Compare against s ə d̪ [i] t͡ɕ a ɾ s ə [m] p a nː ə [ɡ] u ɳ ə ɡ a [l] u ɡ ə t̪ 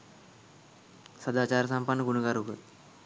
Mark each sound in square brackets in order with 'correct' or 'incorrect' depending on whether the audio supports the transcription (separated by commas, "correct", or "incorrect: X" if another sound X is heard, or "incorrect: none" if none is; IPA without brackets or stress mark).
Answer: incorrect: a, correct, correct, incorrect: ɾ